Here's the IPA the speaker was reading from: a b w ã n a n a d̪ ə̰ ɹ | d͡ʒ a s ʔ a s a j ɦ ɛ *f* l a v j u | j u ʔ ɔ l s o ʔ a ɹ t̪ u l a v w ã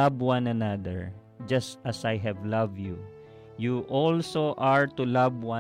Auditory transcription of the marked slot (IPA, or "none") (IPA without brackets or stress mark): v